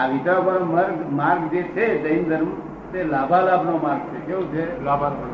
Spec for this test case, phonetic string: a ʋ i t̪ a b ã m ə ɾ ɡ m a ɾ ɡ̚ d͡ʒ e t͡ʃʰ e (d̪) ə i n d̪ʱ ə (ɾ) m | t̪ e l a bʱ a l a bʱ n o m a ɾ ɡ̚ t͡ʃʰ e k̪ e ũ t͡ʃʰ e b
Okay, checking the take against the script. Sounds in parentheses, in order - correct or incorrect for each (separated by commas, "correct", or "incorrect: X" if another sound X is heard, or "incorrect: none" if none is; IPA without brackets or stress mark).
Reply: correct, correct